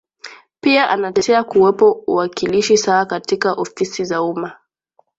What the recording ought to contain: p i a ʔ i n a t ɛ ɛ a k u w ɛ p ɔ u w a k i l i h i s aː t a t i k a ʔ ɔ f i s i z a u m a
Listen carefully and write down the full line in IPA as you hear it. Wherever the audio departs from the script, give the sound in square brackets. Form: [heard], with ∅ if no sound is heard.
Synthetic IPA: p i a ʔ [a] n a t ɛ ɛ a k u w ɛ p ɔ u w a k i l i [ʃ] i s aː [k] a t i k a ʔ ɔ f i s i z a u m a